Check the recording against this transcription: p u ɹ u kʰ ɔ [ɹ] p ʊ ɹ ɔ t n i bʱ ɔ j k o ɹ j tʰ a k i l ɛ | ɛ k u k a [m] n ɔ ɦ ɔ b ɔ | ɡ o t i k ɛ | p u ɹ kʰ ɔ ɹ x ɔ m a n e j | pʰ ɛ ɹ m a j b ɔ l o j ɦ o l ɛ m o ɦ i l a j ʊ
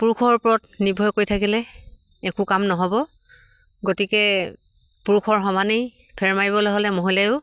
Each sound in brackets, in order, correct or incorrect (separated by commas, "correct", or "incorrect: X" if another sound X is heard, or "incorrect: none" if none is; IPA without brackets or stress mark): correct, correct